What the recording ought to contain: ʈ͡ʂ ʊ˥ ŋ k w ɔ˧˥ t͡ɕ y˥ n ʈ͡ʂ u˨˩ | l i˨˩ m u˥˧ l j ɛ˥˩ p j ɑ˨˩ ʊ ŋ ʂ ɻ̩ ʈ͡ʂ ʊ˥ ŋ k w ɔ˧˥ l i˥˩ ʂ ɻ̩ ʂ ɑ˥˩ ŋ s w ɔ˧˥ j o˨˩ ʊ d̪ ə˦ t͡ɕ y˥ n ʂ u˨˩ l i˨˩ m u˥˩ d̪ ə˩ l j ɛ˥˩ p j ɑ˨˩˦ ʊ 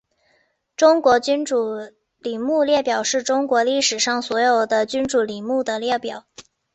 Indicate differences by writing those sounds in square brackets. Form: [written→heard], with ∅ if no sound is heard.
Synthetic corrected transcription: ʈ͡ʂ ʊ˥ ŋ k w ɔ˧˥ t͡ɕ y˥ n ʈ͡ʂ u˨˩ | l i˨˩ m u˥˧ l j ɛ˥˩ p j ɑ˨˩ ʊ [ŋ→∅] ʂ ɻ̩ ʈ͡ʂ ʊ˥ ŋ k w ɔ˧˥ l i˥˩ ʂ ɻ̩ ʂ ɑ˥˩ ŋ s w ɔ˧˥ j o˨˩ ʊ d̪ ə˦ t͡ɕ y˥ n [ʂ→ʈ͡ʂ] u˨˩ l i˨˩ m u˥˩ d̪ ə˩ l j ɛ˥˩ p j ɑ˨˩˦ ʊ